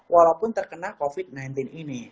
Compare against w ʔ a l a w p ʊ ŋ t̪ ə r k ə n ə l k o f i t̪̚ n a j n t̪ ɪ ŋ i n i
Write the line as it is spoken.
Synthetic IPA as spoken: w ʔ a l a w p ʊ n t̪ ə r k ə n a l k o f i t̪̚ n a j n t̪ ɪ n i n i